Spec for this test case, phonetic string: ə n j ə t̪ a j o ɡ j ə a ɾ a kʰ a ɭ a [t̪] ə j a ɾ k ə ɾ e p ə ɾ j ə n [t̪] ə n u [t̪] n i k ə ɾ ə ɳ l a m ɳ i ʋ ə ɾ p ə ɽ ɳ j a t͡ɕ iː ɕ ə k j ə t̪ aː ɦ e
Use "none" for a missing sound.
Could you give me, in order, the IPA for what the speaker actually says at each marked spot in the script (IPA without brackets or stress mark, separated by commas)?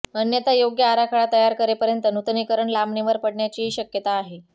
t̪, t̪, t̪